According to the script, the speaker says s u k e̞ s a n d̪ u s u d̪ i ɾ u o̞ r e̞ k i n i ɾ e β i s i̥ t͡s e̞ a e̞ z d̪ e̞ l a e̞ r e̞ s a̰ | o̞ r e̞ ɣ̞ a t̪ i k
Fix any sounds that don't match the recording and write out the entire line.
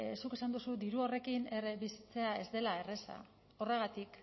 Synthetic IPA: s u k e̞ s a n d̪ u s u d̪ i ɾ u o̞ r e̞ k i n e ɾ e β i s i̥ t͡s e̞ a e̞ z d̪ e̞ l a e̞ r e̞ s a̰ | o̞ r e̞ ɣ̞ a t̪ i k